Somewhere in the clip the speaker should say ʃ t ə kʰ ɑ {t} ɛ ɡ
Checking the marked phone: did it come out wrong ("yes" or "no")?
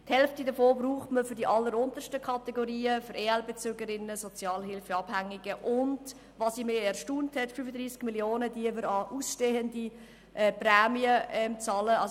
no